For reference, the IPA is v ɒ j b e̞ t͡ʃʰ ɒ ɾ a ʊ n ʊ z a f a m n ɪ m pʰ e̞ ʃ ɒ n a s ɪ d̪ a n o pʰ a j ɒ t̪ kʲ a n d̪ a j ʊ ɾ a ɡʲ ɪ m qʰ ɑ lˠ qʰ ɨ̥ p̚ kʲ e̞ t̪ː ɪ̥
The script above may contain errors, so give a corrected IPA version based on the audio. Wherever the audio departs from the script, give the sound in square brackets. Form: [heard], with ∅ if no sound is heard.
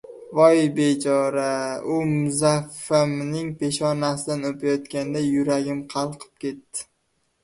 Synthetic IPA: v ɒ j b e̞ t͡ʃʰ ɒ ɾ a ʊ [m] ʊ z a f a m n ɪ [ŋ] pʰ e̞ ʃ ɒ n a s ɪ d̪ a n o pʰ a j ɒ t̪ kʲ a n d̪ a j ʊ ɾ a ɡʲ ɪ m qʰ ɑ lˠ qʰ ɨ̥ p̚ kʲ e̞ t̪ː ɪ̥